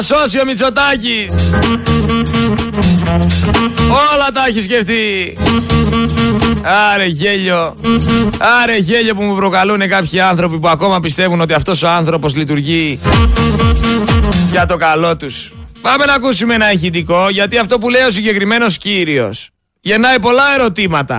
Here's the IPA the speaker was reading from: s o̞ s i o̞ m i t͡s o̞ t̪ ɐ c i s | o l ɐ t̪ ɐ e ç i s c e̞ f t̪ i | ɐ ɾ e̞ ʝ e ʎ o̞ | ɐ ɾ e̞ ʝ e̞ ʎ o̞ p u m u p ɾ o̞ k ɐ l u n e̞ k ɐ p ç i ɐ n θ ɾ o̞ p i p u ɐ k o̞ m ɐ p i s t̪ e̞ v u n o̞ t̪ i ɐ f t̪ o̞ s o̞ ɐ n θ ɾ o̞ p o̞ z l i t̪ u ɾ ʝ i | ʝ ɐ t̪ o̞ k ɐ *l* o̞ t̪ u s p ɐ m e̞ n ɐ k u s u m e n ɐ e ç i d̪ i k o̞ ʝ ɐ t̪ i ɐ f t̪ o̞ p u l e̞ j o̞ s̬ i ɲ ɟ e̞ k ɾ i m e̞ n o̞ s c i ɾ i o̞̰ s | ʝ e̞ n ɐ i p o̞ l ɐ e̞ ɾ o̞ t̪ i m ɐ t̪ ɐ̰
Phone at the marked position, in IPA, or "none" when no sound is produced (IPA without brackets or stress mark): l